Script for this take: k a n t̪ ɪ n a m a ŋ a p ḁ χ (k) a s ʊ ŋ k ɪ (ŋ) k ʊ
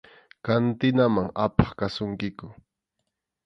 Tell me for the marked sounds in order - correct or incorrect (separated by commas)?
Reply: correct, incorrect